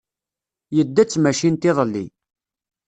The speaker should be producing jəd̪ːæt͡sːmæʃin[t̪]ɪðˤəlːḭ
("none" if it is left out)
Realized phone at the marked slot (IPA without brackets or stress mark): t̪